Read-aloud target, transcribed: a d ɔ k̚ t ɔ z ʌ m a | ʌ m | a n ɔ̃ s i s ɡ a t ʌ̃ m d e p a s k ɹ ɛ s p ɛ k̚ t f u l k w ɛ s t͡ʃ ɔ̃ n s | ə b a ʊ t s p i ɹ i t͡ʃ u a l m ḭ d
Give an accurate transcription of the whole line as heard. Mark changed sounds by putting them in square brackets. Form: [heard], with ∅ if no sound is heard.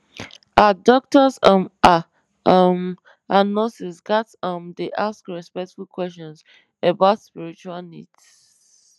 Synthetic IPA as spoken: a d ɔ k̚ t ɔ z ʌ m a | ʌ m | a n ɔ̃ s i s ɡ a t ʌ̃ m d e [ʔ] a s k ɹ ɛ s p ɛ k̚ t f u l k w ɛ s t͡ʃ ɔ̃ n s | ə b a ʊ t s p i ɹ i t͡ʃ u a l [n] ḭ d